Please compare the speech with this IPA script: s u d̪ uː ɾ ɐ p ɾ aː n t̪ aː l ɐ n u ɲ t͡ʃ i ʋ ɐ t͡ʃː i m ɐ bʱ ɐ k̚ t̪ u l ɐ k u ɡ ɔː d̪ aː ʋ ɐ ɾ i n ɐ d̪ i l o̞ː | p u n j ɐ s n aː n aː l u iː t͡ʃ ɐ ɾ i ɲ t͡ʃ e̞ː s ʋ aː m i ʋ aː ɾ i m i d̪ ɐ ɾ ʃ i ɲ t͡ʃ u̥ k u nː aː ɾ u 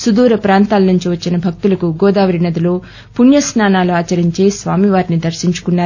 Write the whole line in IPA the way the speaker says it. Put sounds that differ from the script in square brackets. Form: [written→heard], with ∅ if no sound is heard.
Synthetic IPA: s u d̪ uː ɾ ɐ p ɾ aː n t̪ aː l ɐ n u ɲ t͡ʃ i ʋ ɐ t͡ʃː i [m→n] ɐ bʱ ɐ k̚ t̪ u l ɐ k u ɡ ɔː d̪ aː ʋ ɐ ɾ i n ɐ d̪ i l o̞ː | p u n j ɐ s n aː n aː l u [iː→aː] t͡ʃ ɐ ɾ i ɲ t͡ʃ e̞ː s ʋ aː m i ʋ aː ɾ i [m→n] i d̪ ɐ ɾ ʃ i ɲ t͡ʃ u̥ k u nː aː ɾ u